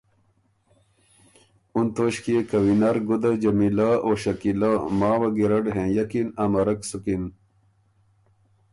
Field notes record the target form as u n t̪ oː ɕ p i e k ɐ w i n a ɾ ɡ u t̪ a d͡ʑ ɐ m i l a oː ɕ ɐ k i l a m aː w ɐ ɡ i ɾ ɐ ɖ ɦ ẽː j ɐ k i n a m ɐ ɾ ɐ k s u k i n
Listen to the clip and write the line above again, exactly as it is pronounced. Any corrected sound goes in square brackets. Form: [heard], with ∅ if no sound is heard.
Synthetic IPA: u n t̪ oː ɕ [k] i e k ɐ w i n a ɾ ɡ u [d̪] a d͡ʑ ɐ m i l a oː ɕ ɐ k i l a m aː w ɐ ɡ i ɾ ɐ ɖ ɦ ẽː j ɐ k i n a m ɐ ɾ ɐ k s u k i n